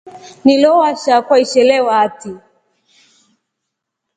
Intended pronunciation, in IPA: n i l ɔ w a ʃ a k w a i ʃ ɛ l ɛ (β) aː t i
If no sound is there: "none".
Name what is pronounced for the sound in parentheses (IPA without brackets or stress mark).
w